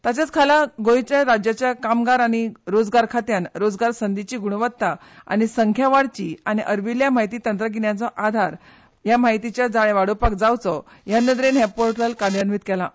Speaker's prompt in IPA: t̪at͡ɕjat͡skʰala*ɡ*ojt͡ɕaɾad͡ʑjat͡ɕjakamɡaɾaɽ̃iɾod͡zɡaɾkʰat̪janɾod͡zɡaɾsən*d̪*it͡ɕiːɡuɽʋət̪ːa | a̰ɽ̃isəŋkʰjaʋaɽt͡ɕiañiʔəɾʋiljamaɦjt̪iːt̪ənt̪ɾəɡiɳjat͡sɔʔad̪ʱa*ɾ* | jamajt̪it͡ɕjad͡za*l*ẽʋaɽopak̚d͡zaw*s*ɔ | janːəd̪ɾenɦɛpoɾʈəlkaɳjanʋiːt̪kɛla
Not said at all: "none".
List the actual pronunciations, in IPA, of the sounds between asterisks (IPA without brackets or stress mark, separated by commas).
ɡ, d̪, ɾ, ɭ, t͡s